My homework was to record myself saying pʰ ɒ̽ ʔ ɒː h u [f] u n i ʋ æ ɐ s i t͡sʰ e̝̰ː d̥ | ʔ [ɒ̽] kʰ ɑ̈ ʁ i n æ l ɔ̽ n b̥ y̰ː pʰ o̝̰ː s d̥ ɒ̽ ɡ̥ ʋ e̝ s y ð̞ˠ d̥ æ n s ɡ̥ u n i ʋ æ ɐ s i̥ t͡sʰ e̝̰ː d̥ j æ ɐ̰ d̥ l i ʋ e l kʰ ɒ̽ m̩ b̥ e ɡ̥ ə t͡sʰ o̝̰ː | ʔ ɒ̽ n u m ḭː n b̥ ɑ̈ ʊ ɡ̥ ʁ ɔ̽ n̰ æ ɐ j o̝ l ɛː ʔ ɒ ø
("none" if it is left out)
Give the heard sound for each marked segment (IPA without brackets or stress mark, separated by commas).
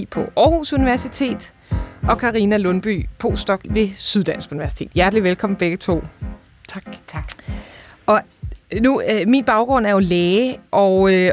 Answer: s, ɒ̽